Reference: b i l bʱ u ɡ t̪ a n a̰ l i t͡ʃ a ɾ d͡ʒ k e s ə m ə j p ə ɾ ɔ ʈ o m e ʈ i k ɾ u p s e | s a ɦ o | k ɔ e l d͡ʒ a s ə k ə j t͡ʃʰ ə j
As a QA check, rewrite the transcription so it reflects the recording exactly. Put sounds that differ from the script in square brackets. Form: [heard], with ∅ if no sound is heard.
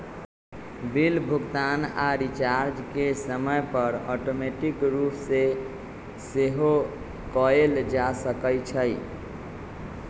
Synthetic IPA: b i l bʱ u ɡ t̪ a n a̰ [ɾ] i t͡ʃ a ɾ d͡ʒ k e s ə m ə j p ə ɾ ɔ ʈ o m e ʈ i k ɾ u p s e | s [e] ɦ o | k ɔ e l d͡ʒ a s ə k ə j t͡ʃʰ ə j